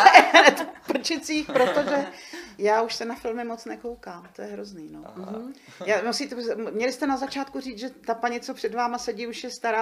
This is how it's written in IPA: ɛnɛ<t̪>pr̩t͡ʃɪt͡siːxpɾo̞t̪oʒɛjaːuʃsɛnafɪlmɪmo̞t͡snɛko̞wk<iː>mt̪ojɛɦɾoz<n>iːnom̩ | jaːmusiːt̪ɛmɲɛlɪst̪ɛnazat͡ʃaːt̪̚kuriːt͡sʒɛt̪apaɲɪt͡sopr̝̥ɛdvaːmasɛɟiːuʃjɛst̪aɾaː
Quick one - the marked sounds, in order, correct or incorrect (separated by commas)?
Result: correct, incorrect, correct